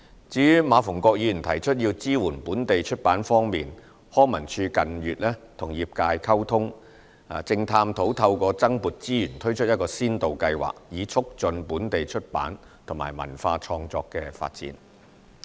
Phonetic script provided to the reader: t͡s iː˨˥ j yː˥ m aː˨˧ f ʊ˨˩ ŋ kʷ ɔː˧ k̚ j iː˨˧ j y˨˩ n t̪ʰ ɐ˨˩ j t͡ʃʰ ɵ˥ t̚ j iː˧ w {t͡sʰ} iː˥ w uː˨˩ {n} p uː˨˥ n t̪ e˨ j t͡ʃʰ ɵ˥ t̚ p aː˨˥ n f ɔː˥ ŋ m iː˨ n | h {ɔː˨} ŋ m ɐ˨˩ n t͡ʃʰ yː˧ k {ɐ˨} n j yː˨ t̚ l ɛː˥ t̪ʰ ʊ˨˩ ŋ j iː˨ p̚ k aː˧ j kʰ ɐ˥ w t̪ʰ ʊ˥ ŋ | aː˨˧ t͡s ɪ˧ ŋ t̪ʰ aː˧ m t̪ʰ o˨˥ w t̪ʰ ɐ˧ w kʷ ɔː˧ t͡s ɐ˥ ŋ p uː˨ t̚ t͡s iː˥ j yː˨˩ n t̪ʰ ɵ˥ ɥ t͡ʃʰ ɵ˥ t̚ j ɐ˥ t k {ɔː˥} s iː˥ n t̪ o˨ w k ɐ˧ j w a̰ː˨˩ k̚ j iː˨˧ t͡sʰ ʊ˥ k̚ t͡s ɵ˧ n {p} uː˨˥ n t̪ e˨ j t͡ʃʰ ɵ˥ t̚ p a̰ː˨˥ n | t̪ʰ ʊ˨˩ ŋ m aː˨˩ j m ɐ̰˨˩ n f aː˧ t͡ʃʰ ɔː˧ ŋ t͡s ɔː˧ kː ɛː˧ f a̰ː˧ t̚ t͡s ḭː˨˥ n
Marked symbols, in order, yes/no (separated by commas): no, yes, no, yes, no, yes